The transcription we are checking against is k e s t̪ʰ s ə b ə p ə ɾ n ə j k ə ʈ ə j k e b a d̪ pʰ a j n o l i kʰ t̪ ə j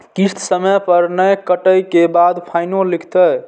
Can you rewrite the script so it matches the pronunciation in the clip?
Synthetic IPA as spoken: k i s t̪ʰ s ə m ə p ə ɾ n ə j k ə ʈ ə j k e b a d̪ pʰ a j n o l i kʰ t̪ ə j